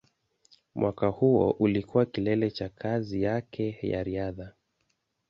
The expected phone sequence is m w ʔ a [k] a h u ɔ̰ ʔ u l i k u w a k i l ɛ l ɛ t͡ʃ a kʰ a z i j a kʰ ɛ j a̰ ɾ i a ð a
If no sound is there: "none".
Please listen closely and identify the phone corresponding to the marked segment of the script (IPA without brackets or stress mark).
k